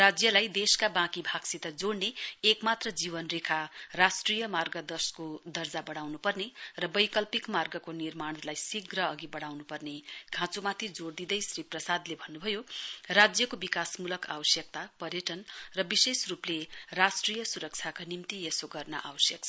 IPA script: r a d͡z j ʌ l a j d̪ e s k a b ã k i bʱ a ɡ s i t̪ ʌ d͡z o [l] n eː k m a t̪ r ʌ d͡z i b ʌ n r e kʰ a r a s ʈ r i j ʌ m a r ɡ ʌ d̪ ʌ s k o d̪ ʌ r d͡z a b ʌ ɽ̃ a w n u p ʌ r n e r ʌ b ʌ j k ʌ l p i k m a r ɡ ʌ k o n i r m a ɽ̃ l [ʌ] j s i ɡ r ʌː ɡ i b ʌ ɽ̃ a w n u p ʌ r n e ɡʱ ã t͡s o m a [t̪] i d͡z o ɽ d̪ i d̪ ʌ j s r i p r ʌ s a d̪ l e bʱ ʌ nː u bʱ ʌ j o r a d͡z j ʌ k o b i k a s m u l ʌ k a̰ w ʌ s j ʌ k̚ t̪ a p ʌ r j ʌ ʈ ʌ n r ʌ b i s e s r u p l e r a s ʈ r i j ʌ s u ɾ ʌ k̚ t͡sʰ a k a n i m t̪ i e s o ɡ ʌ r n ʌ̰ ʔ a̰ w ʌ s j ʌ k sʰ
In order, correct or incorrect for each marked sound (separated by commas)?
incorrect, incorrect, incorrect